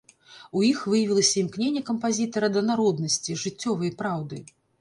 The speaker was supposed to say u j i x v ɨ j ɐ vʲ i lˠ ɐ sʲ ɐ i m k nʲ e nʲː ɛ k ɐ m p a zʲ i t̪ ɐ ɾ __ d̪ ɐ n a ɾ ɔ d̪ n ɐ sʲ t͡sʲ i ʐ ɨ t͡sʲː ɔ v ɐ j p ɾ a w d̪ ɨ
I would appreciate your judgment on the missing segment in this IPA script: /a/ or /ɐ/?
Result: ɐ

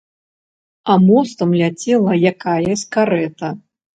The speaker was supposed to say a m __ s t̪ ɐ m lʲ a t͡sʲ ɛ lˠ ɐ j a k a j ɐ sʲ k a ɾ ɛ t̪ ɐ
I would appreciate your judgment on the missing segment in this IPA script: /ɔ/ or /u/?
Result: ɔ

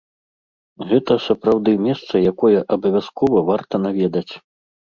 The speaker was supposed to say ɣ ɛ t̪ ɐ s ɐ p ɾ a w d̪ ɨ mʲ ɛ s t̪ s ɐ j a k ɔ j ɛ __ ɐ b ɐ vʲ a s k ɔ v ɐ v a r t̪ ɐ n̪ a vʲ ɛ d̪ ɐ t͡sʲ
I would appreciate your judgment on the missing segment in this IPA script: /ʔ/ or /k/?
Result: ʔ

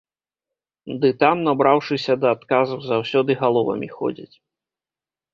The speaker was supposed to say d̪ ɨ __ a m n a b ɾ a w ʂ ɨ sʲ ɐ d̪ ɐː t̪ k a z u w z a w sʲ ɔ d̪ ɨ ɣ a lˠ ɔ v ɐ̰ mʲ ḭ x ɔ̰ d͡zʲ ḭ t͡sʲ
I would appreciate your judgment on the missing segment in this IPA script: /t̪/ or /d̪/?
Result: t̪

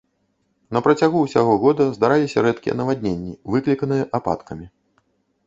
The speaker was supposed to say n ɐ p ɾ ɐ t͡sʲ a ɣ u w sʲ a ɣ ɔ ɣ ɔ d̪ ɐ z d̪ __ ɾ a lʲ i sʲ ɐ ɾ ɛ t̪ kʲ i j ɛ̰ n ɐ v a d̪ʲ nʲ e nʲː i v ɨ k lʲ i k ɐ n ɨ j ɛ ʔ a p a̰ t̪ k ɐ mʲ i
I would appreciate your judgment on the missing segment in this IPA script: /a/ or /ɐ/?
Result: a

